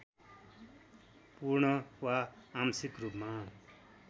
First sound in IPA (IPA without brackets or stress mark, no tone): p